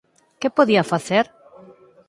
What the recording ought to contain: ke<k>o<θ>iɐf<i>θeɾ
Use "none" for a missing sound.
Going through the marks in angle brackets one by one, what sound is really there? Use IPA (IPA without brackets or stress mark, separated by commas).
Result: p, ð, a